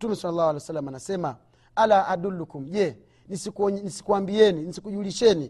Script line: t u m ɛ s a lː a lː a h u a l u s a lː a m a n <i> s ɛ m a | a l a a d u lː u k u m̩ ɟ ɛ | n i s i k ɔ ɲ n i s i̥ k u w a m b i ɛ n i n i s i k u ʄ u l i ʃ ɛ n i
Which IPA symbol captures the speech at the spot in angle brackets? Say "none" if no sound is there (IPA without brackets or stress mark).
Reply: a